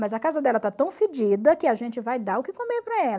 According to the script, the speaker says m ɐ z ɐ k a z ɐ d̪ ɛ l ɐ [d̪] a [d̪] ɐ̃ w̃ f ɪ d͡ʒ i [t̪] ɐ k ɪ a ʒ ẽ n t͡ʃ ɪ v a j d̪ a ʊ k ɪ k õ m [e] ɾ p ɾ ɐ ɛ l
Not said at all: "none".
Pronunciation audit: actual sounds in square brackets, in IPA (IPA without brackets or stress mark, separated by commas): t̪, t̪, d̪, e